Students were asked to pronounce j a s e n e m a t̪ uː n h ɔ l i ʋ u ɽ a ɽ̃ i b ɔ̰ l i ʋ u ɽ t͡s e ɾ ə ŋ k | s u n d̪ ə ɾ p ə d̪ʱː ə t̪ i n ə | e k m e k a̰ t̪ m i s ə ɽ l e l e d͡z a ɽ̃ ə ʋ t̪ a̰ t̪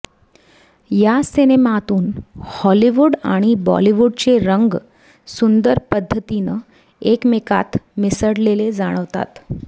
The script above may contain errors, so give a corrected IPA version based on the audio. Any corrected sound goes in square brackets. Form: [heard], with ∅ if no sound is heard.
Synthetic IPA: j a s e n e m a t̪ uː n h ɔ l i ʋ u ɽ a ɽ̃ i b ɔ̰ l i ʋ u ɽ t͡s e ɾ ə ŋ [ɡ] | s u n d̪ ə ɾ p ə d̪ʱː ə t̪ i n ə | e k m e k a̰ t̪ m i s ə ɽ l e l e d͡z a ɽ̃ ə ʋ t̪ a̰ t̪